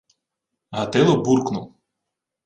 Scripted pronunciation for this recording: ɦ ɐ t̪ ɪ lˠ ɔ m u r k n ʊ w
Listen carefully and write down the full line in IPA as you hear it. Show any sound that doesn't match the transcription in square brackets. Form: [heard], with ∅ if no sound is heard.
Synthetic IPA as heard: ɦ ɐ t̪ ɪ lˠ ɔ [b] u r k n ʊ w